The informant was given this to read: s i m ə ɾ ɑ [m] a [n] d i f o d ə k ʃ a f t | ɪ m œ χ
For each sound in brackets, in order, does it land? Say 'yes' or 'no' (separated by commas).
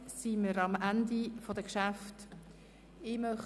yes, yes